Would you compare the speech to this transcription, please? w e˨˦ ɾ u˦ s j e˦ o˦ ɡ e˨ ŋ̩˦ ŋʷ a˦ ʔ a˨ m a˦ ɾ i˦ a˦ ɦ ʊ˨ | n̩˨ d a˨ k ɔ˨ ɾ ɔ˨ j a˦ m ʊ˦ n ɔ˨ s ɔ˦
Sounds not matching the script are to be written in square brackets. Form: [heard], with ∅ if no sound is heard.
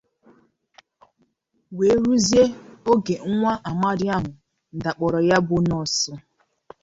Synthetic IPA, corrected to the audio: w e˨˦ ɾ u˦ [z] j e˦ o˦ ɡ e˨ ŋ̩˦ ŋʷ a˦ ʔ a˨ m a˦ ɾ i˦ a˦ ɦ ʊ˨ | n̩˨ d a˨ [k͡p] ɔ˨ ɾ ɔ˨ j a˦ [b] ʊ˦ n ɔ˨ s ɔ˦